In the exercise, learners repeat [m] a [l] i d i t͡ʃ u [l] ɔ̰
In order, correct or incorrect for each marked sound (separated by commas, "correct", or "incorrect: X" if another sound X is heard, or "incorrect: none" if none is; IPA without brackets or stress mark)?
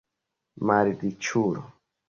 correct, incorrect: ɾ, incorrect: ɾ